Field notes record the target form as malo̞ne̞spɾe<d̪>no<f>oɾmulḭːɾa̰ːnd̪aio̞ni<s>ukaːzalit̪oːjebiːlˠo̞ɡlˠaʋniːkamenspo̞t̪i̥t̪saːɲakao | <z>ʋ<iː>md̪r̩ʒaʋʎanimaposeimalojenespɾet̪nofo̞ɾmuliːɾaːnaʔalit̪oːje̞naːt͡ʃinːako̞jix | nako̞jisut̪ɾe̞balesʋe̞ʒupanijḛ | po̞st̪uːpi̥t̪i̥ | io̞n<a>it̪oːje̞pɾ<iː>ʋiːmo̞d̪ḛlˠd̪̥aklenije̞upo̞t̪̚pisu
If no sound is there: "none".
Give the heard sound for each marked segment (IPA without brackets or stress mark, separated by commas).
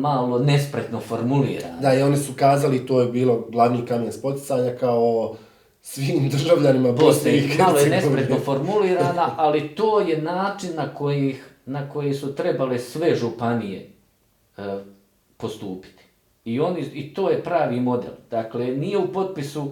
t̪, f, s, s, iː, i, aː